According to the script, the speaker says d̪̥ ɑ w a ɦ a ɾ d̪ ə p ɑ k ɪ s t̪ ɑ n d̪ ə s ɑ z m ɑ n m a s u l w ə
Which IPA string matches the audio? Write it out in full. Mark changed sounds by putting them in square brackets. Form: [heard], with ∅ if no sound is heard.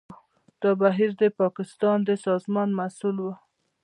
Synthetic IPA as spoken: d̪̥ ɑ [b] a ɦ [i] ɾ d̪ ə p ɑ k ɪ s t̪ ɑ n d̪ ə s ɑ z m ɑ n m a s u l w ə